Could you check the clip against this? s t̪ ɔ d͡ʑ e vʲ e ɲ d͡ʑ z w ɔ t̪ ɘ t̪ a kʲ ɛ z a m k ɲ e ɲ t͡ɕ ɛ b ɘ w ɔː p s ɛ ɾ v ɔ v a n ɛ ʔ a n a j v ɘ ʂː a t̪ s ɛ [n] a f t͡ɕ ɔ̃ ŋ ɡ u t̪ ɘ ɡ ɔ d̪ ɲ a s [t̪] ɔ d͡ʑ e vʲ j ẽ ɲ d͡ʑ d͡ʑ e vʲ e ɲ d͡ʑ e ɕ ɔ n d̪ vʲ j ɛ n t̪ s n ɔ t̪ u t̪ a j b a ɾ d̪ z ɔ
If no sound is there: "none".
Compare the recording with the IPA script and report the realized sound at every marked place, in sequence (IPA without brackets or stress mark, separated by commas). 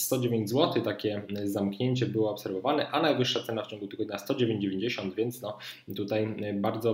n, t̪